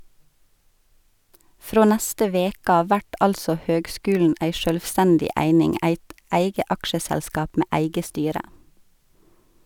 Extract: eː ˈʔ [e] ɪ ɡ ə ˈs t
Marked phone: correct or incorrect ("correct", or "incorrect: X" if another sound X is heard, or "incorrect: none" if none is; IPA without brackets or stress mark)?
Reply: incorrect: æ